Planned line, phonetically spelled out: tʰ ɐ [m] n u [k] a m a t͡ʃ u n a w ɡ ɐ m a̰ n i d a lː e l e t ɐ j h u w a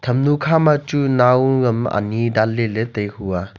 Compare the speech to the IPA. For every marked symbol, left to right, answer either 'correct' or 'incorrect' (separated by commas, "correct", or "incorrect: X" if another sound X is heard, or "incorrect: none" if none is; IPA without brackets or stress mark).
correct, incorrect: kʰ